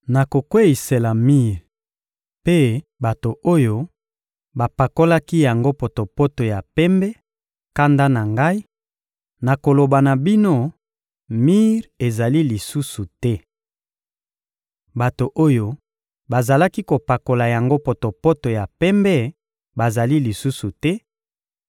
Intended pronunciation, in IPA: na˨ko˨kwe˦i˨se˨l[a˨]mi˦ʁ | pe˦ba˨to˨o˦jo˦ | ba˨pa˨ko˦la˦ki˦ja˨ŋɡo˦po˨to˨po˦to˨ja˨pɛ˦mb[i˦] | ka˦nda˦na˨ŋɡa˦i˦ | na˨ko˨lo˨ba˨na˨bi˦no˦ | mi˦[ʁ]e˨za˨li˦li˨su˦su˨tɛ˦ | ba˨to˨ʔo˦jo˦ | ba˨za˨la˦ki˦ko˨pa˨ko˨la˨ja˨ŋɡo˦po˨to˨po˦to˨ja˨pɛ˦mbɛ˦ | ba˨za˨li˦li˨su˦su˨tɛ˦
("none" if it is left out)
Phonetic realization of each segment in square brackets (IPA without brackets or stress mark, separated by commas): a˨, ɛ˦, ʁ